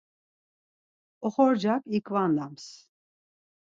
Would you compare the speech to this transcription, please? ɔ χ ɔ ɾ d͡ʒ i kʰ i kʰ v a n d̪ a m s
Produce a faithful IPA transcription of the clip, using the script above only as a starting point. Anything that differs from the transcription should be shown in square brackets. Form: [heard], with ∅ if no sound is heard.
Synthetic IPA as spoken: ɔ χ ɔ ɾ d͡ʒ [a] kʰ i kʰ v a n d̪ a m s